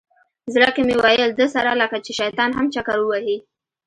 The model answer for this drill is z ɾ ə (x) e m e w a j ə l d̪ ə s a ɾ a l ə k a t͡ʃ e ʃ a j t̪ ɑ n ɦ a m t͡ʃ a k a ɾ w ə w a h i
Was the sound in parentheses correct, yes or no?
no